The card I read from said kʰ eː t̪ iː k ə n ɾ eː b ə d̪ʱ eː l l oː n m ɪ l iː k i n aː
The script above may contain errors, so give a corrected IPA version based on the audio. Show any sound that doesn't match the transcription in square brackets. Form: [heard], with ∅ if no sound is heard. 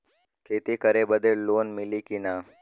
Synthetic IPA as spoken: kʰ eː t̪ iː k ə [∅] ɾ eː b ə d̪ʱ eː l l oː n m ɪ l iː k i n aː